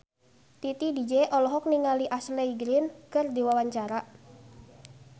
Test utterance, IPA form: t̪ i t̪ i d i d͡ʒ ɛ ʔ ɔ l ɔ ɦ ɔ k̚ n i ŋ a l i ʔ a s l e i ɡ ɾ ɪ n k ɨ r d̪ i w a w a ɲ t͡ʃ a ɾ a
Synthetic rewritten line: t̪ i t̪ i d i d͡ʒ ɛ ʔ ɔ l ɔ ɦ ɔ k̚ n i ŋ a l i ʔ a s l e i ɡ ɾ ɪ n k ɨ r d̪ i w a w a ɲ t͡ʃ a ɾ a